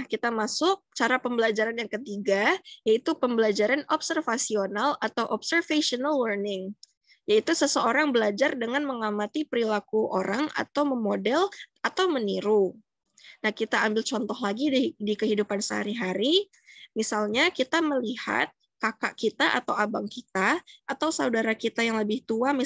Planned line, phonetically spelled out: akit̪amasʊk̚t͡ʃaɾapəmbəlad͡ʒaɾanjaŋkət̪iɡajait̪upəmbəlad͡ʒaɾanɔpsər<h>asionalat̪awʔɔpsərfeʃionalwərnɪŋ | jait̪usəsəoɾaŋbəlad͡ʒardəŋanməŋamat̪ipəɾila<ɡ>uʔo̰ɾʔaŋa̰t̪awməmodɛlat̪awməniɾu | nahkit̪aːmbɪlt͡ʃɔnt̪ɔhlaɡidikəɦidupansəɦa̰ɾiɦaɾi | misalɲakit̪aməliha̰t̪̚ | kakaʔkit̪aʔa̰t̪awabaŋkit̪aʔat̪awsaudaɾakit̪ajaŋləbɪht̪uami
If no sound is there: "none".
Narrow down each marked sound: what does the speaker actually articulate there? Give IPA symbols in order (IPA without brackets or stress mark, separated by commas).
f, k